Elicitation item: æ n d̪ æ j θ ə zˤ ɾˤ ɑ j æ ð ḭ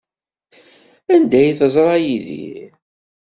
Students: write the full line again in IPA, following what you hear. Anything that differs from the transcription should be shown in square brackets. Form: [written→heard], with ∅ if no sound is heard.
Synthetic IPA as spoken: æ n d̪ æ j θ ə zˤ ɾˤ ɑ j [æ→i] ð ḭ